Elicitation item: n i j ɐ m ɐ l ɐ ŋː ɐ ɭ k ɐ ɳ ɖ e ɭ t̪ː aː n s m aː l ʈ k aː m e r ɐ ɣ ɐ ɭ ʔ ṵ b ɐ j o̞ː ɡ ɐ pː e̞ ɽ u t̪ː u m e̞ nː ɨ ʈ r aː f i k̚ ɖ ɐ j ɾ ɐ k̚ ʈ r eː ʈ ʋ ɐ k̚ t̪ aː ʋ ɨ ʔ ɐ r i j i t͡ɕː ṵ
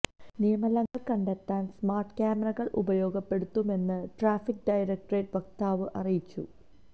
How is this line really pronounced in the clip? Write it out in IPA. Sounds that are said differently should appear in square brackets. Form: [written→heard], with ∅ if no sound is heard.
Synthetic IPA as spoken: n i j ɐ m ɐ l ɐ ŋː ɐ ɭ k ɐ ɳ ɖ e [ɭ→∅] t̪ː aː n s m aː [l→r] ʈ k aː m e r ɐ ɣ ɐ ɭ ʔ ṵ b ɐ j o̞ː ɡ ɐ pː e̞ ɽ u t̪ː u m e̞ nː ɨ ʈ r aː f i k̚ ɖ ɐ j ɾ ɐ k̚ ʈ r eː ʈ ʋ ɐ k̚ t̪ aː ʋ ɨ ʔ ɐ r i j i t͡ɕː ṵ